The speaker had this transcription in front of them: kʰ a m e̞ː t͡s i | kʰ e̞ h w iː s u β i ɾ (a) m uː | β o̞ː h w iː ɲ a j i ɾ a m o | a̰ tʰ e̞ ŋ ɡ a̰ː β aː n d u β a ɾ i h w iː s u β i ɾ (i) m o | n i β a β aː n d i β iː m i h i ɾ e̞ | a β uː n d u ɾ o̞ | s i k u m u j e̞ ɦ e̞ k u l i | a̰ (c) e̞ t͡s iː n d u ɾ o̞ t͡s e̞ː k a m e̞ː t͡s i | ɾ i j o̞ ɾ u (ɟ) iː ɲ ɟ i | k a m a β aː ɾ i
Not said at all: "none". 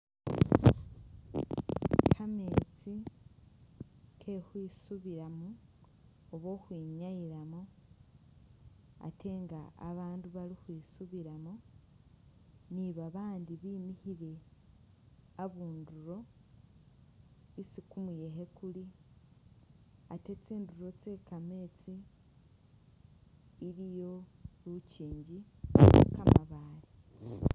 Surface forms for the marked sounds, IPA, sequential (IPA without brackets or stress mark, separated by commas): a, a, t, c